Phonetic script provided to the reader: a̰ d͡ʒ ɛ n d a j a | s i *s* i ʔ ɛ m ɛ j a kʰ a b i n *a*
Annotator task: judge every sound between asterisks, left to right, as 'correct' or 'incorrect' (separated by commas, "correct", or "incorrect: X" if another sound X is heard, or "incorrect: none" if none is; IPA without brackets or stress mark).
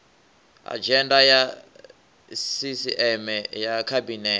correct, incorrect: ɛ